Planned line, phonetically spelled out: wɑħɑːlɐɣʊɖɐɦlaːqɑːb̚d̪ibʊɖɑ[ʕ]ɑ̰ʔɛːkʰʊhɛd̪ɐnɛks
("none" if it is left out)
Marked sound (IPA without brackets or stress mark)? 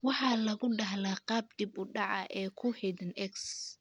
ʕ